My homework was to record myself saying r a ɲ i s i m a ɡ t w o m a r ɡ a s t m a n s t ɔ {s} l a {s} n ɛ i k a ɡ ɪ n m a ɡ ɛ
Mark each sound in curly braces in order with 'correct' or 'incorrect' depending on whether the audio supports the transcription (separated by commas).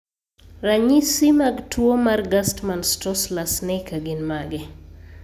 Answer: correct, correct